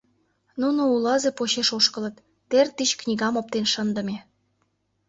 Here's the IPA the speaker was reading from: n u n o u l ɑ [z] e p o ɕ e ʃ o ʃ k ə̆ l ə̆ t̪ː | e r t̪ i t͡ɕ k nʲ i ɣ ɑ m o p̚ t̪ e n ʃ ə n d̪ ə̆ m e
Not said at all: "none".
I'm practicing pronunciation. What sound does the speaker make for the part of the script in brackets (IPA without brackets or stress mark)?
z